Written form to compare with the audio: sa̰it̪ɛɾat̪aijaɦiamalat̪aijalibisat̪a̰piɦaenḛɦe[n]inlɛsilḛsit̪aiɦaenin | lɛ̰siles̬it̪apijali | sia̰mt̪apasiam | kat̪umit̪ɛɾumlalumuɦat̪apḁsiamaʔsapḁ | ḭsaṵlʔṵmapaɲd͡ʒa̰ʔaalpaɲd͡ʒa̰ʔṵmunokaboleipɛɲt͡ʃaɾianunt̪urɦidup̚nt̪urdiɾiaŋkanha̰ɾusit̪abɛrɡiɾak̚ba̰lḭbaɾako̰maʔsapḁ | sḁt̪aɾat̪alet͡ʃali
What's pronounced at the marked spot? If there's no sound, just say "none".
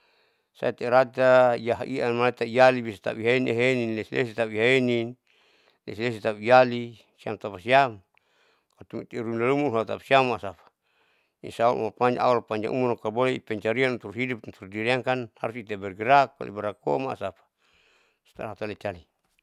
n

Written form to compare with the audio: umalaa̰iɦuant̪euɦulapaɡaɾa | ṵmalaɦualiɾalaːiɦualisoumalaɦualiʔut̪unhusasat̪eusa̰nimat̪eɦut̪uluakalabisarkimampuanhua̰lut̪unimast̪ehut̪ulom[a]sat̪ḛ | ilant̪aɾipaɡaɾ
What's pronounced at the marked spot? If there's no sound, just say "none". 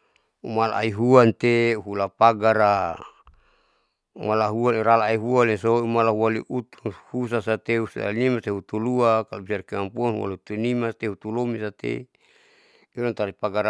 i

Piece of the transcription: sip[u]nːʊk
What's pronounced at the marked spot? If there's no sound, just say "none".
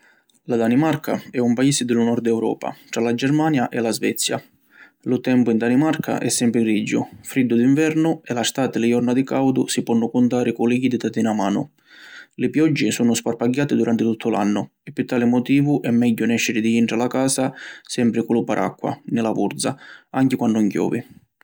ɔ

